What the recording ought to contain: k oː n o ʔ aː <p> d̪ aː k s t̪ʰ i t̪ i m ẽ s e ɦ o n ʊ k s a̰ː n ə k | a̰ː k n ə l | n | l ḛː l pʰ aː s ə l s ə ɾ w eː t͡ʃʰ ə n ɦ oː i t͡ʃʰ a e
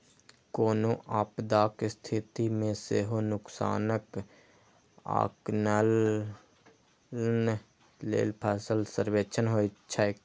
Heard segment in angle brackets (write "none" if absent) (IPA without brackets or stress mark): p